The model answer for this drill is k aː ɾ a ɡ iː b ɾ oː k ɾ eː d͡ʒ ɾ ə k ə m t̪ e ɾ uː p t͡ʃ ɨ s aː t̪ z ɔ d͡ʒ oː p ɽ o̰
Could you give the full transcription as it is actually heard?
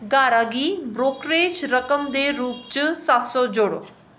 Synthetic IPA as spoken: ɡ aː ɾ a ɡ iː b ɾ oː k ɾ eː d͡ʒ ɾ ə k ə m d̪ e ɾ uː p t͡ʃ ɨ s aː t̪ s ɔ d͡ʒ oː ɽ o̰